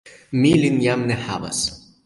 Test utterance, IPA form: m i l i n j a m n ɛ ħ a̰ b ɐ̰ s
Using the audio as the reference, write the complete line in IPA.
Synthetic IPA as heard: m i l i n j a m n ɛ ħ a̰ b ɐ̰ s